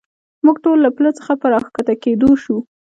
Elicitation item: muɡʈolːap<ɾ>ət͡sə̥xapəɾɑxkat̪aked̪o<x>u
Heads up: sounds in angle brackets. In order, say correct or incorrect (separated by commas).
incorrect, incorrect